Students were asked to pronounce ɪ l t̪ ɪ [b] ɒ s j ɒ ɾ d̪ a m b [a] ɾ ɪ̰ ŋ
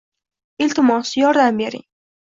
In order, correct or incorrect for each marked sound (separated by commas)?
incorrect, incorrect